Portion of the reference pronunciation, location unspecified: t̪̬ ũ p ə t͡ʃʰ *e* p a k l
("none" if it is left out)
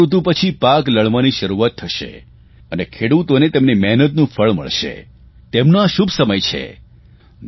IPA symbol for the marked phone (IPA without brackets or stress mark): i